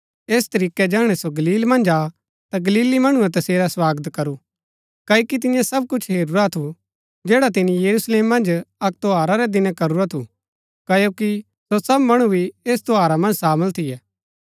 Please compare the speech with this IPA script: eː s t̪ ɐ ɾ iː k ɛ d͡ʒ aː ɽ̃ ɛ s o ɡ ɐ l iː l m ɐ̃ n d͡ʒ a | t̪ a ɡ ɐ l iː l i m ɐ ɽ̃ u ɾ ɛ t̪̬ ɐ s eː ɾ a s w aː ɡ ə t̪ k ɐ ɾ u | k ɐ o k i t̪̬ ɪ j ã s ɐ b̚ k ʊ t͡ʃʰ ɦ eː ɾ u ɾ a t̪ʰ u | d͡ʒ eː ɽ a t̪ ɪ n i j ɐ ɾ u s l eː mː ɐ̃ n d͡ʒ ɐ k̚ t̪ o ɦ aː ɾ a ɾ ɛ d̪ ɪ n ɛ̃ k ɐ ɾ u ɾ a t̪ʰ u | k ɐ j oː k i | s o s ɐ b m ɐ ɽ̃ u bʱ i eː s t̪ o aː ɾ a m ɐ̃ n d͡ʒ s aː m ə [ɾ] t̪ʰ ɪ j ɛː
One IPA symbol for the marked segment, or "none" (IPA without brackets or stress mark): l